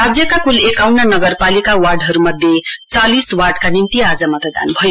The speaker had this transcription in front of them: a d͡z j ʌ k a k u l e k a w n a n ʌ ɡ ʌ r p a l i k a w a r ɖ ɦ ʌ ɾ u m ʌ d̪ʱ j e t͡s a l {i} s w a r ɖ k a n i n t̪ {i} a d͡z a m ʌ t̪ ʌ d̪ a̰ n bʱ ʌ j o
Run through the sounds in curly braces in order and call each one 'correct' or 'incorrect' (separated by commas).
correct, correct